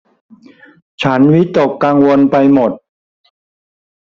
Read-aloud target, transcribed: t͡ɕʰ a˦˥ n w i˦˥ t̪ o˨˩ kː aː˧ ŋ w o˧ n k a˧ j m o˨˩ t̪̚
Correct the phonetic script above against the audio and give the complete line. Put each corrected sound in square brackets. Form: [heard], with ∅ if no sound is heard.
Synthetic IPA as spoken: t͡ɕʰ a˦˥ n w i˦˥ t̪ o˨˩ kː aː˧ ŋ w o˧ n [p] a˧ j m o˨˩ t̪̚